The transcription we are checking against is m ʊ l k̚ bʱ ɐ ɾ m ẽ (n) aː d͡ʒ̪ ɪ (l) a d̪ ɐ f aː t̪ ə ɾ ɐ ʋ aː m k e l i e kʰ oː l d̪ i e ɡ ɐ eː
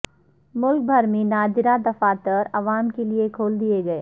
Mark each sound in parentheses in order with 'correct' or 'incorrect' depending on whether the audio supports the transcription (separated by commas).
correct, incorrect